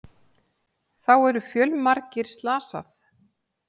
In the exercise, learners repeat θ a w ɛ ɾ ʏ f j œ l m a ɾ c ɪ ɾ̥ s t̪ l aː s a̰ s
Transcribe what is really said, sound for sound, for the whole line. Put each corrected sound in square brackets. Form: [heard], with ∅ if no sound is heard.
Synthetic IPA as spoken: θ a w ɛ ɾ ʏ f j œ l m a ɾ c ɪ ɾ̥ s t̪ l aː s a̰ [θ]